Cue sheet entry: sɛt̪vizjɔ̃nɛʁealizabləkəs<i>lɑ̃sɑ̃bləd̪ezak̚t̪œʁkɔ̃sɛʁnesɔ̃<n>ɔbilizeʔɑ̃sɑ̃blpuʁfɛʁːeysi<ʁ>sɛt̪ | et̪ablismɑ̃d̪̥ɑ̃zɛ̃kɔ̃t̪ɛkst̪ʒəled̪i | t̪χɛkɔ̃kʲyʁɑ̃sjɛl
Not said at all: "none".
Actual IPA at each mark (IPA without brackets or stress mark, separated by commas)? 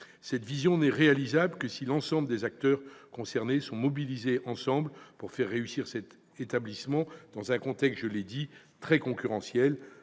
i, m, ʁ